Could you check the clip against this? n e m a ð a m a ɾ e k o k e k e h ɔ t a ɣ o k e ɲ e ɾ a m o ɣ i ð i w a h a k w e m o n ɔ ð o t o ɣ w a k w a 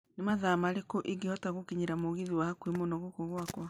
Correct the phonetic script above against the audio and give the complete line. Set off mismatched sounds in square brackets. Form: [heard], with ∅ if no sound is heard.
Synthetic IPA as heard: n e m a ð a m a ɾ e k o [ʔ] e [ɡ] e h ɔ t a ɣ o k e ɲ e ɾ a m o ɣ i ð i w a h a k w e m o n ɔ [ɣ] o [k] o ɣ w a k w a